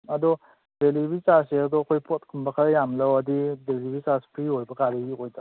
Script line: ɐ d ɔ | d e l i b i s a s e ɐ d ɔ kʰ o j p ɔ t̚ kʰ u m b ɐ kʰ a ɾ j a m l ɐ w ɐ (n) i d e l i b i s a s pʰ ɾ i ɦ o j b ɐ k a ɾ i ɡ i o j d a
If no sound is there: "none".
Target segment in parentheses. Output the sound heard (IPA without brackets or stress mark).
d